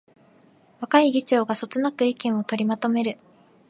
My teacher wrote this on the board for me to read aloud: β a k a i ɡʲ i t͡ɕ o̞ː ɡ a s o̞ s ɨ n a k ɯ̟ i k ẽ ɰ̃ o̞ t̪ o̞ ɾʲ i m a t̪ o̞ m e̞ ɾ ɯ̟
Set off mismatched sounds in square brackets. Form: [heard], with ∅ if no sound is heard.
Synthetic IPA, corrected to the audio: β a k a i ɡʲ i t͡ɕ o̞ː ɡ a s o̞ [t͡s] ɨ n a k ɯ̟ i k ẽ ɰ̃ o̞ t̪ o̞ ɾʲ i m a t̪ o̞ m e̞ ɾ ɯ̟